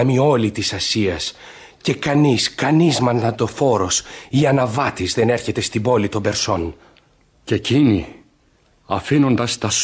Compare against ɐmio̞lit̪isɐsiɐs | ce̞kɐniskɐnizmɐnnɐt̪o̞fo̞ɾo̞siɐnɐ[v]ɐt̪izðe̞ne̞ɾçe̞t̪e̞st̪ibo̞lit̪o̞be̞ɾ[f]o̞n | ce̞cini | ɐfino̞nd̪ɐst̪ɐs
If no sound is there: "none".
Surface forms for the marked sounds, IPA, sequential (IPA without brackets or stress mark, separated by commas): v, s